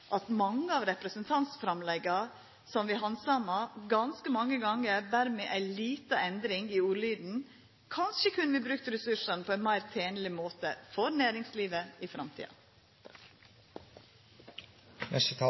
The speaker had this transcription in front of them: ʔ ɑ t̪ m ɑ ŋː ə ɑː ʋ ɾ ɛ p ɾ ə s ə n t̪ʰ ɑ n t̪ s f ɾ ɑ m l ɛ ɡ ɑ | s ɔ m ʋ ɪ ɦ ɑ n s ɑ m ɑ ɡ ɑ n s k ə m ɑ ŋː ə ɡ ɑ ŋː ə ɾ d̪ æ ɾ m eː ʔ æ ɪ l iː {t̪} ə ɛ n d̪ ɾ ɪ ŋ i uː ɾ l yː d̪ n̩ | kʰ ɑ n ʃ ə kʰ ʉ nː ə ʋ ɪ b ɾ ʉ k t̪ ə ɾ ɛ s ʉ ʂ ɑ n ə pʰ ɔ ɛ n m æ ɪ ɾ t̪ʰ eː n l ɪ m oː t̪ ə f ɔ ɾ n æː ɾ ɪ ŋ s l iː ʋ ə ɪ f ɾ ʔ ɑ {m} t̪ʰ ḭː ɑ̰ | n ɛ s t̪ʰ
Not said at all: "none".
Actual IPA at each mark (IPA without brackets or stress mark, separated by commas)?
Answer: t̪, m